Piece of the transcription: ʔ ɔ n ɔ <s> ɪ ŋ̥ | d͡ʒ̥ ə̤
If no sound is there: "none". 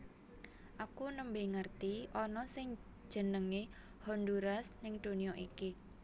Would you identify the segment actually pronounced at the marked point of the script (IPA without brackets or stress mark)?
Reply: s